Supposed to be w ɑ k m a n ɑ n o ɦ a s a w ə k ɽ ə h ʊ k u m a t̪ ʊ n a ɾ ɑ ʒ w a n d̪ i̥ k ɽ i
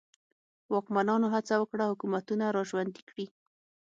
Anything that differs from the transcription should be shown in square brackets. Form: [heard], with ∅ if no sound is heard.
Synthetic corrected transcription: w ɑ k m a n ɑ n o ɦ a [t͡s] a w ə k ɽ [a] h ʊ k u m a t̪ [u] n a ɾ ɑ ʒ w a n d̪ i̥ k ɽ i